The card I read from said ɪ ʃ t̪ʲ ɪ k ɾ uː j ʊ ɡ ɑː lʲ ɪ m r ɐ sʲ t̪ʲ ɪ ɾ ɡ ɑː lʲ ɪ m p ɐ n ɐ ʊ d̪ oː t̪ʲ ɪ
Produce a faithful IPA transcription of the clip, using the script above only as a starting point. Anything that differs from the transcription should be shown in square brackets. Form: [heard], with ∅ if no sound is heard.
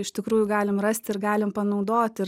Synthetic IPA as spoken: ɪ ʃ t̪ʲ ɪ k ɾ uː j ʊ ɡ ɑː lʲ ɪ m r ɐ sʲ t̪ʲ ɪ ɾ ɡ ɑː lʲ ɪ m p ɐ n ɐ ʊ d̪ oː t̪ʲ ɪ